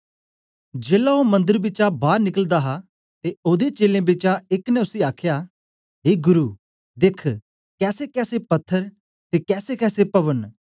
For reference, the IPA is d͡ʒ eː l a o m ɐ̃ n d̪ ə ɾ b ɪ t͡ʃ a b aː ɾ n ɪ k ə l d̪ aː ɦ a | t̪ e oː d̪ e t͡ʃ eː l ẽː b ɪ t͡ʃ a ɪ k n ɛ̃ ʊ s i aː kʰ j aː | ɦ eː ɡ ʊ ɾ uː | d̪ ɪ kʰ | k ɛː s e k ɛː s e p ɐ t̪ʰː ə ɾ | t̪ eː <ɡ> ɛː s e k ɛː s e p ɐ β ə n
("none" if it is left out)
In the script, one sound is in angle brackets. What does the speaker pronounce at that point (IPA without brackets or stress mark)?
k